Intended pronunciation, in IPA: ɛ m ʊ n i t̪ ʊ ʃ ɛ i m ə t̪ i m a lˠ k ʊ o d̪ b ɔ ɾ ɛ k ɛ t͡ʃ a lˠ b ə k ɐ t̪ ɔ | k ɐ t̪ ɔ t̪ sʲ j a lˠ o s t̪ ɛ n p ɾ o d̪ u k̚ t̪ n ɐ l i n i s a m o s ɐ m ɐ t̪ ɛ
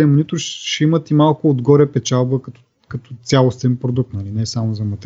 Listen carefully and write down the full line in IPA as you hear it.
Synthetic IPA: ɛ m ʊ n i t̪ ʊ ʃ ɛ i m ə t̪ i m a lˠ k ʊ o d̪ ɡ ɔ ɾ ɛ p ɛ t͡ʃ a lˠ b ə k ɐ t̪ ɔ | k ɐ t̪ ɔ t̪ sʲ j a lˠ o s t̪ ɛ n p ɾ o d̪ u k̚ t̪ n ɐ l i n ɛ s a m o z ɐ m ɐ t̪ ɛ